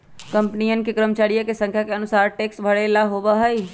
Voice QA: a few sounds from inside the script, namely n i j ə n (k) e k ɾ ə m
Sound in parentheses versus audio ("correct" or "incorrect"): correct